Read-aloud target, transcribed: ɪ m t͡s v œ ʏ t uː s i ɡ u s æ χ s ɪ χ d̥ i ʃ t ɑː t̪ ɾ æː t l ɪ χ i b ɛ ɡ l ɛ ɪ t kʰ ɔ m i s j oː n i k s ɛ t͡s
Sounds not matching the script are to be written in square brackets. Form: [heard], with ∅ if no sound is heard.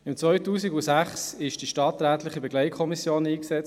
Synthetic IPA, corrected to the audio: ɪ m t͡s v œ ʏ t uː s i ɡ u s æ χ s ɪ [ʃ] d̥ i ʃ t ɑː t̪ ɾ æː t l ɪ χ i b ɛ ɡ l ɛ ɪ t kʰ ɔ m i s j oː n [iː] k s ɛ t͡s

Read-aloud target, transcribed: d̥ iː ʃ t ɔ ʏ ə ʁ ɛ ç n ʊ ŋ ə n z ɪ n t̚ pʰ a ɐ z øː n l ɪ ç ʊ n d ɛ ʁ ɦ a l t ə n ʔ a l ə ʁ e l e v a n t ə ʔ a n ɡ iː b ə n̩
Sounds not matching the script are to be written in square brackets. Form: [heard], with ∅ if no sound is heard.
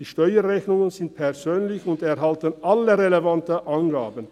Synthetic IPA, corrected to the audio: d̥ iː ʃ t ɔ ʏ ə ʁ ɛ ç n ʊ ŋ ə n z ɪ n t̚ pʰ [ɛ] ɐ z øː n l ɪ ç ʊ n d ɛ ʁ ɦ a l t ə n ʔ a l ə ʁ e l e v a n t ə ʔ a n ɡ [aː] b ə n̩

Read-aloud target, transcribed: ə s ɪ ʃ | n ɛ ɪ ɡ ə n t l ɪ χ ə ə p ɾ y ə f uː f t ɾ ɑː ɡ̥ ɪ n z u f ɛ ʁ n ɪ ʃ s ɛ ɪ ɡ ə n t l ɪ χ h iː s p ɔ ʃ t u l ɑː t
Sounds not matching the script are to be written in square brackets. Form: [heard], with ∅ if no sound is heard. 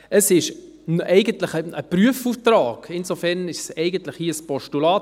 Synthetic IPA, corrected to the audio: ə s ɪ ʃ | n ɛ ɪ ɡ ə n t l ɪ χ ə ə p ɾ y ə f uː f t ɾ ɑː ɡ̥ ɪ n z [o] f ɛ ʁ n ɪ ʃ s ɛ ɪ ɡ ə n t l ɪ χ h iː s p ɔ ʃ t u l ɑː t

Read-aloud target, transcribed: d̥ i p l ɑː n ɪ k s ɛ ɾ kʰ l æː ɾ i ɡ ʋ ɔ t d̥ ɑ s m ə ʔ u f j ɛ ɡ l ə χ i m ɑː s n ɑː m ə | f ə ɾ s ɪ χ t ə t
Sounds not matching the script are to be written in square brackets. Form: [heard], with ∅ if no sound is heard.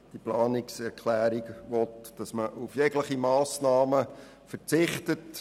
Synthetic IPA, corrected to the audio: d̥ i p l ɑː n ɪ k s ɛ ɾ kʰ l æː ɾ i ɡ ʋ ɔ t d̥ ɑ s m ə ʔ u f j ɛ ɡ l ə χ i m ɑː s n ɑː m ə | f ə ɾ [t͡s] ɪ χ t ə t

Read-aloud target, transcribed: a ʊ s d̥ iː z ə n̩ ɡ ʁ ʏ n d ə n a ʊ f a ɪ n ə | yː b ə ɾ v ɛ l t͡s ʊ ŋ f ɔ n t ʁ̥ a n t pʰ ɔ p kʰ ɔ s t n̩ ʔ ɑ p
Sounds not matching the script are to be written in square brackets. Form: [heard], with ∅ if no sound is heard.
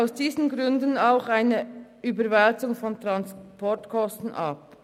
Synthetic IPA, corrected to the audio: a ʊ s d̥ iː z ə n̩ ɡ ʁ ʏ n d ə n a ʊ [x] a ɪ n ə | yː b ə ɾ v ɛ l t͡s ʊ ŋ f ɔ n t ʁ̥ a n [s] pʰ ɔ [t] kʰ ɔ s t n̩ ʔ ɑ p

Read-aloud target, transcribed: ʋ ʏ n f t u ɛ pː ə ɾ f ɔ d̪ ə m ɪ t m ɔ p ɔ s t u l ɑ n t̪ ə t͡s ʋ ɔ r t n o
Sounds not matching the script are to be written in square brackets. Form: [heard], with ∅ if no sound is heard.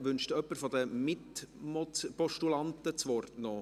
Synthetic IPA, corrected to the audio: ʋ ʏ n [ʃ] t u [œ] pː ə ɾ f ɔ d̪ ə m ɪ t m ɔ p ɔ [ʃ] t u l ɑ n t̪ ə t͡s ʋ ɔ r t n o

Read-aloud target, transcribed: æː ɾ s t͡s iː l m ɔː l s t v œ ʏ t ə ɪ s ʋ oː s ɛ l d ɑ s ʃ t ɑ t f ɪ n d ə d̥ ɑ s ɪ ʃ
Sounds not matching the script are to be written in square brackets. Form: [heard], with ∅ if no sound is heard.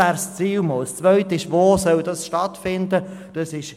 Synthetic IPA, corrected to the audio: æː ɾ s t͡s iː l m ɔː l s [t͡s] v œ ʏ t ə ɪ [ʃ] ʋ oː s [œ] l d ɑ s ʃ t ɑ t f ɪ n d ə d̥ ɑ s ɪ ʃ

